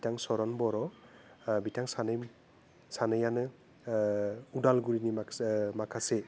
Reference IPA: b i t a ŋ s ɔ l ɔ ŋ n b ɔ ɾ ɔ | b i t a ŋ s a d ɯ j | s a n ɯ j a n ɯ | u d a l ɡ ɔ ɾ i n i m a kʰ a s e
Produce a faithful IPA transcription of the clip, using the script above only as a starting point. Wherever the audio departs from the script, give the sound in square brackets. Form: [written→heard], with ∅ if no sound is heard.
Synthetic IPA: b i t a ŋ s ɔ [l→ɾ] ɔ [ŋ→∅] n b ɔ ɾ ɔ | b i t a ŋ s a [d→n] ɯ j | s a n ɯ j a n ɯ | u d a l ɡ [ɔ→u] ɾ i n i m a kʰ a s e